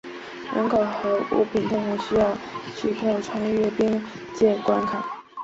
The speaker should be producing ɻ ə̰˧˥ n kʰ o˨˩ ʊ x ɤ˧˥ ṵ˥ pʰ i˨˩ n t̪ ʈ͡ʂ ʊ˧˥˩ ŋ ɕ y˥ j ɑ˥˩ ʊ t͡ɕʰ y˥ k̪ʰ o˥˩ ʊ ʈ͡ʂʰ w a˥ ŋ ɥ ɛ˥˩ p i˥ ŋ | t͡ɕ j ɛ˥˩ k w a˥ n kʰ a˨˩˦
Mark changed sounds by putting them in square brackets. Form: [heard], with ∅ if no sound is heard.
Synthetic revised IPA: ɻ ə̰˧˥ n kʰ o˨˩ ʊ x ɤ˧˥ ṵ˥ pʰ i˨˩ n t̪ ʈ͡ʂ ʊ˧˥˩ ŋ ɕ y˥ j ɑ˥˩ ʊ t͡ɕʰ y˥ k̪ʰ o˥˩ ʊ ʈ͡ʂʰ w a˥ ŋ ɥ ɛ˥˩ p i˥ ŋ | t͡ɕ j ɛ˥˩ k w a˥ n kʰ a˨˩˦